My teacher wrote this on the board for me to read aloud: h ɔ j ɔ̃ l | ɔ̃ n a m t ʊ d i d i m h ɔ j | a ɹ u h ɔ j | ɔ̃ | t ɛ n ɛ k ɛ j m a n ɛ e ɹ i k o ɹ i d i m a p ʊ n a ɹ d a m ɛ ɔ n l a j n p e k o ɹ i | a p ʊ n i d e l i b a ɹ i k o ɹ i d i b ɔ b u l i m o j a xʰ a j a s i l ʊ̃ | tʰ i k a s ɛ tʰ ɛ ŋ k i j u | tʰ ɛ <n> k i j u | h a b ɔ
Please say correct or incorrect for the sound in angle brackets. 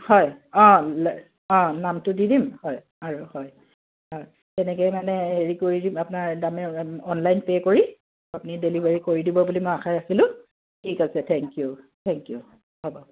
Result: incorrect